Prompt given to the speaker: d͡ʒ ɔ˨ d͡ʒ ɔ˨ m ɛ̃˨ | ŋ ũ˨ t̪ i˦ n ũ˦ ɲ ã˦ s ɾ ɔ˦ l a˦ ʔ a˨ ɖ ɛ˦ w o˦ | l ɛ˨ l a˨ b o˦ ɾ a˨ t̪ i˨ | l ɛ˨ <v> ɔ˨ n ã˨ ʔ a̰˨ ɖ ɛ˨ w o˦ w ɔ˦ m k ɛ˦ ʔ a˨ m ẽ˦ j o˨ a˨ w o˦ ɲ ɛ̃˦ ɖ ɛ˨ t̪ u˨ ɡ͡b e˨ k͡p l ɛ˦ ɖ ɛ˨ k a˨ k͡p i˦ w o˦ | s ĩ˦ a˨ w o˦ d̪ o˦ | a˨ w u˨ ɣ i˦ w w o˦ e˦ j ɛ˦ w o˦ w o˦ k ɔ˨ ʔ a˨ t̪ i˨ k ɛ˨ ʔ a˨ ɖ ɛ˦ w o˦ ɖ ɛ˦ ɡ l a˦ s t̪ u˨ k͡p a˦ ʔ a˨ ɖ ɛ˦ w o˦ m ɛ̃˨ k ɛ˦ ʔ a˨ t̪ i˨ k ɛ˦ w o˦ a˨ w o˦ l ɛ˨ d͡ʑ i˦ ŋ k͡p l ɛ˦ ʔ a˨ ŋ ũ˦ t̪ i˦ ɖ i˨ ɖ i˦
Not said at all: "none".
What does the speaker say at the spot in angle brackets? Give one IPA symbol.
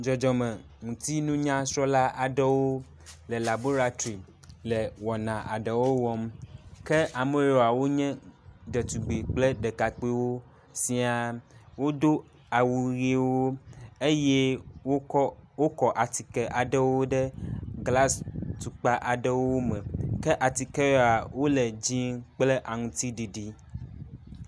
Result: w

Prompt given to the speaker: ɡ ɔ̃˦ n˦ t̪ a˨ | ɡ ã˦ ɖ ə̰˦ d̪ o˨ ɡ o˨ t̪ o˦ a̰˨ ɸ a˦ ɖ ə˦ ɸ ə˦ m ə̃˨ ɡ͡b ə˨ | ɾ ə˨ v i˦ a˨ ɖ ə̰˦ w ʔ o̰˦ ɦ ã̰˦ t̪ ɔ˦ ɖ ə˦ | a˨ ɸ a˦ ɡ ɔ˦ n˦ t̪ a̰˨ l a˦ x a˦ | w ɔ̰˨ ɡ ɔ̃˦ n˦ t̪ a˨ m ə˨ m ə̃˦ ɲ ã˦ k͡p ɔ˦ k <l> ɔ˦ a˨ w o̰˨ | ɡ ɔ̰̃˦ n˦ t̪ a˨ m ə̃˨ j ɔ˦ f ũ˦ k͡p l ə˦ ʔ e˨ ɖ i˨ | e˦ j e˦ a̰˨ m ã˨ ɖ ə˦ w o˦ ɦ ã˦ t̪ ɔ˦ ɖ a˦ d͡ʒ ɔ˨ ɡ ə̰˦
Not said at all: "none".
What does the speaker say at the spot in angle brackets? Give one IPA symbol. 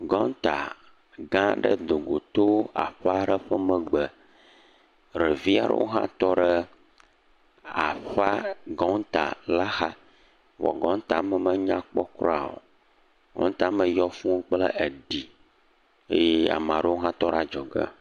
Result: ɾ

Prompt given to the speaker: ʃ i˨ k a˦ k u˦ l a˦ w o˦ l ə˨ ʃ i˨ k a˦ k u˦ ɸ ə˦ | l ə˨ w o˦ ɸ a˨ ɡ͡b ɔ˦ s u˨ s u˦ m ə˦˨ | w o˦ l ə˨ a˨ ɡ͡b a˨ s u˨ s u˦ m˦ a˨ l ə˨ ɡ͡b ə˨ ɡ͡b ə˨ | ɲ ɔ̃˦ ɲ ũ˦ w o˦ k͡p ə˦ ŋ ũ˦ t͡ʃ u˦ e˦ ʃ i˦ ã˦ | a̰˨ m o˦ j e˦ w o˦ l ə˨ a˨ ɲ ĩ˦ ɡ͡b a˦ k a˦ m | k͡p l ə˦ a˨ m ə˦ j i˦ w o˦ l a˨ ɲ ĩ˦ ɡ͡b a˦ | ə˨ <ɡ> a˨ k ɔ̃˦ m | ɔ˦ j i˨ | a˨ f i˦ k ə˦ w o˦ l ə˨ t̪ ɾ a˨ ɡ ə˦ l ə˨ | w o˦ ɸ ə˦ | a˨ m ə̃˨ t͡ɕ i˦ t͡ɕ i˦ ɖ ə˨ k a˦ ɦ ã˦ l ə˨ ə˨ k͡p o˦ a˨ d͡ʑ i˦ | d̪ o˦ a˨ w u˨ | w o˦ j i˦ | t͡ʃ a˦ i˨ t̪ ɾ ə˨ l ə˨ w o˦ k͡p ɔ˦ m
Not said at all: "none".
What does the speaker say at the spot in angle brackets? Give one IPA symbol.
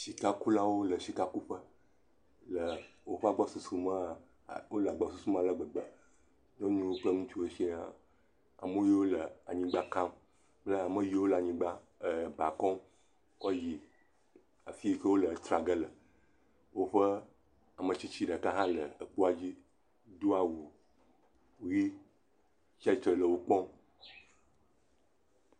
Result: b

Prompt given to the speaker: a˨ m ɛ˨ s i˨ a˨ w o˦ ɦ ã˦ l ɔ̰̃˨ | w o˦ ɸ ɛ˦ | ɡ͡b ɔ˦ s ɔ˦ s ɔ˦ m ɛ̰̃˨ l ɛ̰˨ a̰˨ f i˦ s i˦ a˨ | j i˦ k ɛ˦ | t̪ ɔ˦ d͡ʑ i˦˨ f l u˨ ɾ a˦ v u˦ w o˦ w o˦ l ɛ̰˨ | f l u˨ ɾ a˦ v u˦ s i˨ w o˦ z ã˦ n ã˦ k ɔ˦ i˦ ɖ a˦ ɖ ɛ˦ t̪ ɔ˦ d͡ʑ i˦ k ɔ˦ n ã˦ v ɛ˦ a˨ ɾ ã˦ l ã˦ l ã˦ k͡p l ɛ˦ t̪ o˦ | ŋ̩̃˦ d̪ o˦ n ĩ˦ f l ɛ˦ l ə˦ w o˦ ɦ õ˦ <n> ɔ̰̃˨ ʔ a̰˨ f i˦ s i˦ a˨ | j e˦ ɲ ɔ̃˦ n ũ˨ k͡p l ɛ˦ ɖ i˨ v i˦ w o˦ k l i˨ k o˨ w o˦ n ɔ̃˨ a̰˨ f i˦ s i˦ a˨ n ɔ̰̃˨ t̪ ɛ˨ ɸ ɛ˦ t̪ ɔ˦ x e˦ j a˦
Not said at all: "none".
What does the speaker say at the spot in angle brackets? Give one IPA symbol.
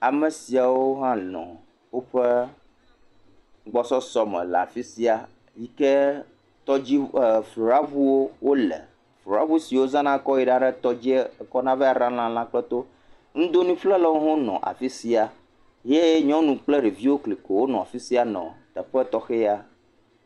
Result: n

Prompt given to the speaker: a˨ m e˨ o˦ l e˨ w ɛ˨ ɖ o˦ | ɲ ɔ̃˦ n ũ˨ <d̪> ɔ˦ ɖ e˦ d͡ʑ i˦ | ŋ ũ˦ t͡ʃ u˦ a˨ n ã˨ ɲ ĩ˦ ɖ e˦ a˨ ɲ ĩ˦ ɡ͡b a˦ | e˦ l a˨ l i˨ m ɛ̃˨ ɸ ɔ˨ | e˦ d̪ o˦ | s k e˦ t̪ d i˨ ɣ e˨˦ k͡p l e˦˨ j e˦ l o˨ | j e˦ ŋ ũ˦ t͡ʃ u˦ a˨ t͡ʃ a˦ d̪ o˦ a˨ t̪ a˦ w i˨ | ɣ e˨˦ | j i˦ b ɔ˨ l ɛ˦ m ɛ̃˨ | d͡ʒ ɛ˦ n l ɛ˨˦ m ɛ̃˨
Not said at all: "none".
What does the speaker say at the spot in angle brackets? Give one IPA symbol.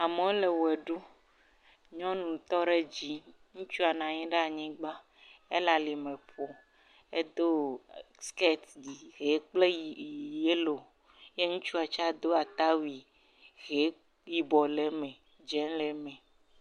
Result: t̪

